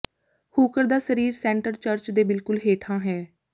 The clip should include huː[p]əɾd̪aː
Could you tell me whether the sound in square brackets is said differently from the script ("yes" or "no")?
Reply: yes